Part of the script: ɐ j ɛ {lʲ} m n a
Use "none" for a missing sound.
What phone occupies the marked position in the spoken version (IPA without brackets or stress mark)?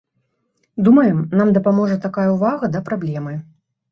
none